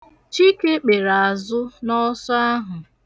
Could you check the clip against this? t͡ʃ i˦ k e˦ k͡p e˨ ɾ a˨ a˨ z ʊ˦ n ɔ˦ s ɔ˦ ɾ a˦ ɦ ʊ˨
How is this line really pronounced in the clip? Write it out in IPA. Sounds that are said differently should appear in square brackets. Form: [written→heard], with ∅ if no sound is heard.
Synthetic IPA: t͡ʃ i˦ k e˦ k͡p e˨ ɾ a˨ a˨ z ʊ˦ n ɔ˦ s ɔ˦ [ɾ→∅] a˦ ɦ ʊ˨